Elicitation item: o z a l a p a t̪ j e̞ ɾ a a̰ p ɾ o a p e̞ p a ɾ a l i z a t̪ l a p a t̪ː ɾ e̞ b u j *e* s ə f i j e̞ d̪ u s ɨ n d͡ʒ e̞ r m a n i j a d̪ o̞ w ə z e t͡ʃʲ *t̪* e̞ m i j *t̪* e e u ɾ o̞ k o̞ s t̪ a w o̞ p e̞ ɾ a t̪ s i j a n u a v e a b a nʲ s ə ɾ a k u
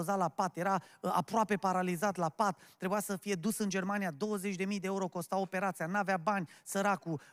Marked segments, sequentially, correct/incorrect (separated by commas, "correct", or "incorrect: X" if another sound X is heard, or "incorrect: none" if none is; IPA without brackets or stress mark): incorrect: a, incorrect: d̪, incorrect: d̪